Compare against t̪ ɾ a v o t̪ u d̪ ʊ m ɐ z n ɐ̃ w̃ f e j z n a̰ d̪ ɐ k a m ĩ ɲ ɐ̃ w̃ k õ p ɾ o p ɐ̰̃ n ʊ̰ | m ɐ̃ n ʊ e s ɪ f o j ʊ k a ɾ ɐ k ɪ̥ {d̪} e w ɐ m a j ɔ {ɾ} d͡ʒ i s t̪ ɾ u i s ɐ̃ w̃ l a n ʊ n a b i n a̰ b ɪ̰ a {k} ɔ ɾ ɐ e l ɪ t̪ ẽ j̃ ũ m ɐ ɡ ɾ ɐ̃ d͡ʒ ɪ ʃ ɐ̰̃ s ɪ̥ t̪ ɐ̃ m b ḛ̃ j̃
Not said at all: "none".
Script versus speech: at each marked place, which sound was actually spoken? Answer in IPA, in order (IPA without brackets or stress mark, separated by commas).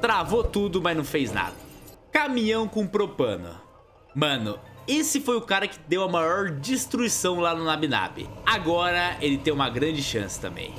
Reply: d̪, ɾ, ɡ